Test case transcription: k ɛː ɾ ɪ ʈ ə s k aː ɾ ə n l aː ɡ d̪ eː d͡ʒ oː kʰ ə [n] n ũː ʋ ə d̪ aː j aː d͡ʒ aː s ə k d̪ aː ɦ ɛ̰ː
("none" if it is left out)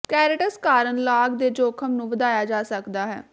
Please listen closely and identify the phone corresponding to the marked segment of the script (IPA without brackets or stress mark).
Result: m